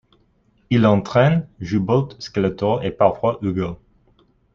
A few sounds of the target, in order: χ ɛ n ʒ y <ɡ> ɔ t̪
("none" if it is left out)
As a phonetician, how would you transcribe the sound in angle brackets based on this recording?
b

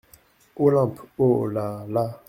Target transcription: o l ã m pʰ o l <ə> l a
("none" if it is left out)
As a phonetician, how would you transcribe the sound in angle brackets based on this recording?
a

